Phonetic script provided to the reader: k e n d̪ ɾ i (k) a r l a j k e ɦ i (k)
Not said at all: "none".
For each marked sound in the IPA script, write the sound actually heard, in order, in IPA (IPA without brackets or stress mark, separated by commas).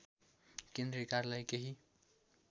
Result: k, none